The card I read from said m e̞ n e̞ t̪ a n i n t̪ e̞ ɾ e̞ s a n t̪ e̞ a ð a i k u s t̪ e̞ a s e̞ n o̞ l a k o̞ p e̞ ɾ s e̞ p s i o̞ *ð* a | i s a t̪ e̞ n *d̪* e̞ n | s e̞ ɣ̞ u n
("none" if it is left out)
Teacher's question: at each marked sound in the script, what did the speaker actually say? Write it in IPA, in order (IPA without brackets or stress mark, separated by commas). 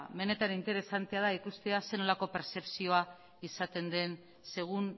none, d̪